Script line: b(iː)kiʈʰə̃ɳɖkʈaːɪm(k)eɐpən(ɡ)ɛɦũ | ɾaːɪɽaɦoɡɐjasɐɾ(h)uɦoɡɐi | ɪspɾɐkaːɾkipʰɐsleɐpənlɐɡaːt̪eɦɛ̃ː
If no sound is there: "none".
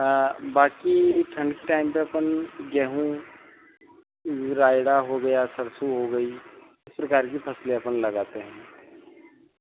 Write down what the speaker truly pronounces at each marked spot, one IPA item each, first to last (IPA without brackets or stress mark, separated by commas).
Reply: aː, p, ɡ, s